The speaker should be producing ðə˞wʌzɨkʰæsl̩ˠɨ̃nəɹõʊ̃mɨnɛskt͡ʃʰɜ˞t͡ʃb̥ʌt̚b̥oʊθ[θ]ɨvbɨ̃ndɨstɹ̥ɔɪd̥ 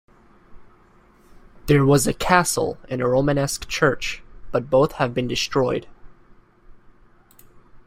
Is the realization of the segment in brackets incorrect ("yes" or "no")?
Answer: yes